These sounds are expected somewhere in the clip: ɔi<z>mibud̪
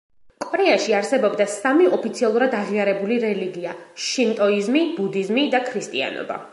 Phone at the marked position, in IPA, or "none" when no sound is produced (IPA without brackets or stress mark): z